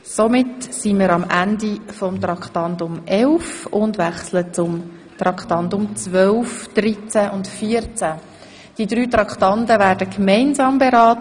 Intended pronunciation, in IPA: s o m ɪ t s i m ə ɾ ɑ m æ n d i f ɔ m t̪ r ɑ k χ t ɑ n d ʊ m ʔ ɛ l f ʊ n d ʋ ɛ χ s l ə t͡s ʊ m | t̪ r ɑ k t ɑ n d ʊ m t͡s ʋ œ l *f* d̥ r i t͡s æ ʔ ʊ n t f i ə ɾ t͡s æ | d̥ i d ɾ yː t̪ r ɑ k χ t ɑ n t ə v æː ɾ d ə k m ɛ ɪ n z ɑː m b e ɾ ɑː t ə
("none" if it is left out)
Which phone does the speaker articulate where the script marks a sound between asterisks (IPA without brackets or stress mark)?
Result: f